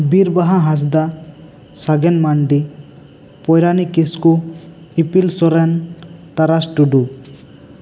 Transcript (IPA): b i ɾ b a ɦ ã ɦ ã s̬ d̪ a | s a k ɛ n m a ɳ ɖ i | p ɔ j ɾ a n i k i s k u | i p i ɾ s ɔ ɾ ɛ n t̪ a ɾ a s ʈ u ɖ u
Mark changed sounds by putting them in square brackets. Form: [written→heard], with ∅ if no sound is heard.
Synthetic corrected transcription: b i ɾ b a ɦ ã ɦ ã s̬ d̪ a | s a [k→ɡ] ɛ n m a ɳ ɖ i | p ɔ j ɾ a n i k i s k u | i p i [ɾ→l] s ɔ ɾ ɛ n t̪ a ɾ a s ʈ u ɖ u